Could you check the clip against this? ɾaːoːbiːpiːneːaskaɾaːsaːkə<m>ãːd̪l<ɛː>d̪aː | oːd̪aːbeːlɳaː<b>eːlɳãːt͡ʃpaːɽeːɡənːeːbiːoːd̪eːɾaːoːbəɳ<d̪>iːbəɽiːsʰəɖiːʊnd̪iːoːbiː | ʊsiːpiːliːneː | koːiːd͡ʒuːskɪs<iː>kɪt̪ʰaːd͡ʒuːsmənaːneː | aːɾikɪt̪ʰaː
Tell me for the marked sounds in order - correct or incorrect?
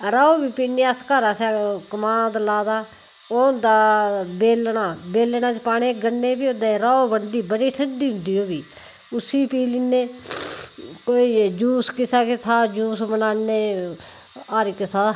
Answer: correct, incorrect, correct, correct, incorrect

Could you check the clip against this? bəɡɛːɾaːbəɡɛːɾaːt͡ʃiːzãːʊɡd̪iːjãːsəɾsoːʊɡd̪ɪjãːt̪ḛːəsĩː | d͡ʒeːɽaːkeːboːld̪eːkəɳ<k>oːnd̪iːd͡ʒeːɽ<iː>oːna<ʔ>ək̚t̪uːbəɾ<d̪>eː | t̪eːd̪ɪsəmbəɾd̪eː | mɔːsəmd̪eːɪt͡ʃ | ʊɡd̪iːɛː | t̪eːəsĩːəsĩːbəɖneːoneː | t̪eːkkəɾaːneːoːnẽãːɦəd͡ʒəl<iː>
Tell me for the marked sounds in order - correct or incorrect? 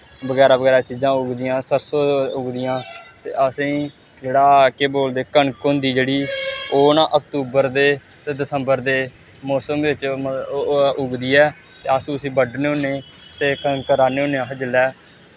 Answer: correct, correct, correct, correct, incorrect

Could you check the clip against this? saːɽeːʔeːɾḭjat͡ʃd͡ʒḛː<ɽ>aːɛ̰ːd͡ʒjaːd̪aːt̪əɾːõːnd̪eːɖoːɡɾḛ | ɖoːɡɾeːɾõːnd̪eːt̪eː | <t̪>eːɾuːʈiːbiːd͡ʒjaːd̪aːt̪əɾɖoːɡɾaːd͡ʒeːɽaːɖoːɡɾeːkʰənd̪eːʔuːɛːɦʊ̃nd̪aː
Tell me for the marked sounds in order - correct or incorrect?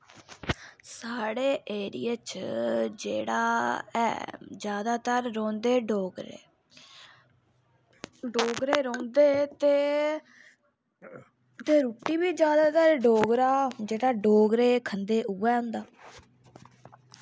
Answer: correct, correct

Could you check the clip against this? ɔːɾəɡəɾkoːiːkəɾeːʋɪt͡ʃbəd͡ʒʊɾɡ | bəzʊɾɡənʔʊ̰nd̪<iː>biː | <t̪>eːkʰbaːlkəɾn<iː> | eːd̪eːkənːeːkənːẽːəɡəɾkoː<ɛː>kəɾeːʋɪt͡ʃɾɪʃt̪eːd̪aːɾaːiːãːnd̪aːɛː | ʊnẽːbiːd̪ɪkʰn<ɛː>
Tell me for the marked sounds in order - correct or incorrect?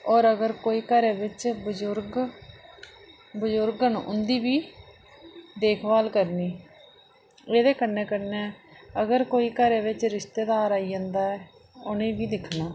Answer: correct, incorrect, correct, incorrect, incorrect

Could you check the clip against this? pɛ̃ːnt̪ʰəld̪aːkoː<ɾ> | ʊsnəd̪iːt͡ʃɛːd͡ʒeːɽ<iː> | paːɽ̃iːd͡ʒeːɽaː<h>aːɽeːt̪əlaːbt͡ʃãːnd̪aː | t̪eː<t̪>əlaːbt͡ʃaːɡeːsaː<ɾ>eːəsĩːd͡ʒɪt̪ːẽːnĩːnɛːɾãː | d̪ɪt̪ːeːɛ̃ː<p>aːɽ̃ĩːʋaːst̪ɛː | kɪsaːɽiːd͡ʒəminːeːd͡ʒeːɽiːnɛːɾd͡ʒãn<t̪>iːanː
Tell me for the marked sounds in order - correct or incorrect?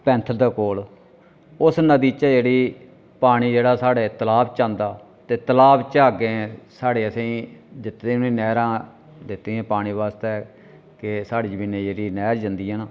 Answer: incorrect, correct, incorrect, correct, incorrect, correct, incorrect

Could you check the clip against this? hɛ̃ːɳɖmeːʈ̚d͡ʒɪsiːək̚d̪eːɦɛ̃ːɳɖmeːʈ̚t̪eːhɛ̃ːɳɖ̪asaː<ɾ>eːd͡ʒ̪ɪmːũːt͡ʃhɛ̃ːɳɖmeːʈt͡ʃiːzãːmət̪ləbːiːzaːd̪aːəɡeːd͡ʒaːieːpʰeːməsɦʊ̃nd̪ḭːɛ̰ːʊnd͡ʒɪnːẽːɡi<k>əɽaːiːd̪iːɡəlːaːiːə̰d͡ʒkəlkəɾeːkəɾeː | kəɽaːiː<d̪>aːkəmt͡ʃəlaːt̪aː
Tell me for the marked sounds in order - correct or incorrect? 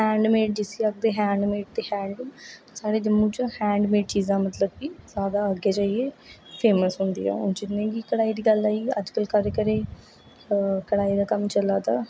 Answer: incorrect, correct, correct

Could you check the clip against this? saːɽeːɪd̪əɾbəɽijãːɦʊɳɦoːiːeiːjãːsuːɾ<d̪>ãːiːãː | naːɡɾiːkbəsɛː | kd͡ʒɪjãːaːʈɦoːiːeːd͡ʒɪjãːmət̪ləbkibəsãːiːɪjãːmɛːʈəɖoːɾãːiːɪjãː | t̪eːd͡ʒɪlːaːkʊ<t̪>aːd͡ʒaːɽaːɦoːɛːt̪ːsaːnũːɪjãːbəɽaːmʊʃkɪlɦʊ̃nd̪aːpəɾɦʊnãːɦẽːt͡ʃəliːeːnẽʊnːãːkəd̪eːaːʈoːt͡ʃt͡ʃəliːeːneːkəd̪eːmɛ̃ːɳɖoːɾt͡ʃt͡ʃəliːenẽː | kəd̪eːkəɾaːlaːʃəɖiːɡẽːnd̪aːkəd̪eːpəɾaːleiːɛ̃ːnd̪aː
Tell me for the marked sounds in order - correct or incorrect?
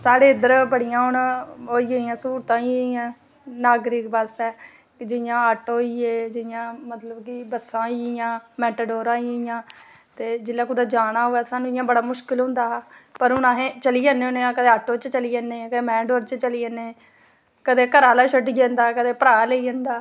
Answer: incorrect, incorrect

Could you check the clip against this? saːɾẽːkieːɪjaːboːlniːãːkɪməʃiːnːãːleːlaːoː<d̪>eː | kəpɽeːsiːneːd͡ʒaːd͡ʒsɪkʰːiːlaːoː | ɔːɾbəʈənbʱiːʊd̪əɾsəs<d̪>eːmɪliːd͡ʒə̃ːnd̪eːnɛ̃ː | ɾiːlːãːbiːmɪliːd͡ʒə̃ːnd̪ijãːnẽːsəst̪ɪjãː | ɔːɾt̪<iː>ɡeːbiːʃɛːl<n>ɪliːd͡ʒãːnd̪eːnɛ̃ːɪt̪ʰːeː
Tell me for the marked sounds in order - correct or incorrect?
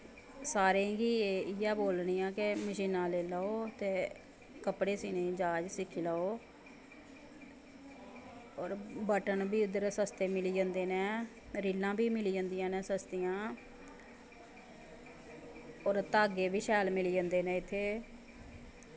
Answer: incorrect, incorrect, incorrect, incorrect

